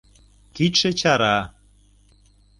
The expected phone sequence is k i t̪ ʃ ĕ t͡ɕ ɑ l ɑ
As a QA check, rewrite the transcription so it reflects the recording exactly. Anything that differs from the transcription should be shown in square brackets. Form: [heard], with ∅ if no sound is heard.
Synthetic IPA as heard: k i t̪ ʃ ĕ t͡ɕ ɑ [ɾ] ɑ